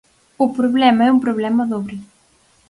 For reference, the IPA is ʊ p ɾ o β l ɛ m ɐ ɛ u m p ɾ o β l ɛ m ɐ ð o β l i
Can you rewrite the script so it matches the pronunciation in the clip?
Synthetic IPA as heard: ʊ p ɾ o β l ɛ m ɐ ɛ u m p ɾ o β l ɛ m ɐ ð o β ɾ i